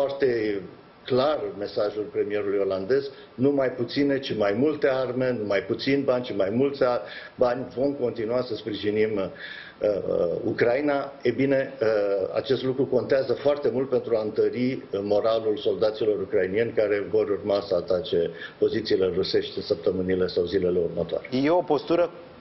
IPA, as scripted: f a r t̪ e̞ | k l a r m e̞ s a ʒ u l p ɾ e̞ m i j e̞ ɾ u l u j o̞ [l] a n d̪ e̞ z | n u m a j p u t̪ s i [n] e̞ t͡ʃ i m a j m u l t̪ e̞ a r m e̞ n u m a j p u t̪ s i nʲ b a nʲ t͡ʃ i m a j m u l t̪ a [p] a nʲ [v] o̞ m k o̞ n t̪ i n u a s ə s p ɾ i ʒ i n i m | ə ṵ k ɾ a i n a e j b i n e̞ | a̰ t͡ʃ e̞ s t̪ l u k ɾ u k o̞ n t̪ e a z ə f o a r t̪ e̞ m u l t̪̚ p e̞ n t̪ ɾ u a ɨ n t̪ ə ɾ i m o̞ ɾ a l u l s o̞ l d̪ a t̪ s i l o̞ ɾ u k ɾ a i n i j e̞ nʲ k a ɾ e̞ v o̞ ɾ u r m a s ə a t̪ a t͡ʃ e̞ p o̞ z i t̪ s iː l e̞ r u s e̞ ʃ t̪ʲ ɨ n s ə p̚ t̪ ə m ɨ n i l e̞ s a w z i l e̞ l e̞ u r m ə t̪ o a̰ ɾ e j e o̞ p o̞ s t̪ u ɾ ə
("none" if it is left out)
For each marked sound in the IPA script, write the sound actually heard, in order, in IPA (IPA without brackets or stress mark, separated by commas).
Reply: l, n, b, v